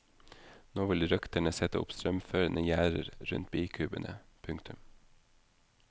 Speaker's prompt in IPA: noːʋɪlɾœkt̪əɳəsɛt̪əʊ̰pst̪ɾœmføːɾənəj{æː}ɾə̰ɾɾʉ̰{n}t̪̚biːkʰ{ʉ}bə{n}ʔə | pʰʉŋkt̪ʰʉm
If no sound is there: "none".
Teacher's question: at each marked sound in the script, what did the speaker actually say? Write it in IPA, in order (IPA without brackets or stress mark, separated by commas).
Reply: æː, n, ʉː, n